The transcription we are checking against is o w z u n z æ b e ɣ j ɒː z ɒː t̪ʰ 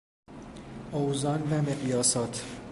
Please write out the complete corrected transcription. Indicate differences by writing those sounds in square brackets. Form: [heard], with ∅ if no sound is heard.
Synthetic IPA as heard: o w z [ɒ] n [v] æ [m] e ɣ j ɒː [s] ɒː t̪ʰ